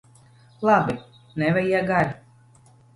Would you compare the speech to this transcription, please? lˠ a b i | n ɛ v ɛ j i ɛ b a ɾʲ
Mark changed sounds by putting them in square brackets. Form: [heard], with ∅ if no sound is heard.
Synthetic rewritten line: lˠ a b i | n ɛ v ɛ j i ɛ [ɡ] a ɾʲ